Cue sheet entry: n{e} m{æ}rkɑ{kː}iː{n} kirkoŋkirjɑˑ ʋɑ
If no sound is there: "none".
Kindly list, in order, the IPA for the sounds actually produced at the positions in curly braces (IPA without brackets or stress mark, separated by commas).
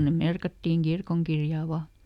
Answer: e, e, tː, ŋ